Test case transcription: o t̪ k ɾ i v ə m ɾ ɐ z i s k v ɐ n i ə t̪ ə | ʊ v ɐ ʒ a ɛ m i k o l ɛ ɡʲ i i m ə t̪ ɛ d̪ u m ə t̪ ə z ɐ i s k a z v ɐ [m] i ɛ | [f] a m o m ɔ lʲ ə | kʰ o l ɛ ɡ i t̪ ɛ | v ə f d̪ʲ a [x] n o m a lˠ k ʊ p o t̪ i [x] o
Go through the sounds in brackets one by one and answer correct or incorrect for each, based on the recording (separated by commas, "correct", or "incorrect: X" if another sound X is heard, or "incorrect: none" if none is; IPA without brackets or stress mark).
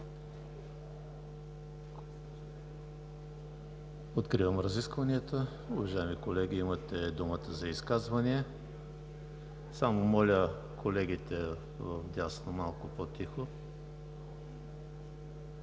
incorrect: n, incorrect: s, incorrect: s, correct